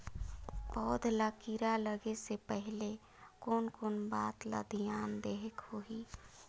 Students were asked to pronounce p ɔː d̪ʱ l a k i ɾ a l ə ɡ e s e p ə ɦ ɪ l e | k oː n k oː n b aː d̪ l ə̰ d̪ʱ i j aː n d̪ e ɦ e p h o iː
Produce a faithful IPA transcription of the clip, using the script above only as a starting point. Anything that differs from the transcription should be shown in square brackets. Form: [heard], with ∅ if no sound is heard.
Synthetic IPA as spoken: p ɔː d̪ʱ l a k i ɾ a l ə ɡ e s e p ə ɦ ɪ l e | k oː n k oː n b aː [t̪] l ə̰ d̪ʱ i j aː n d̪ e ɦ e [k] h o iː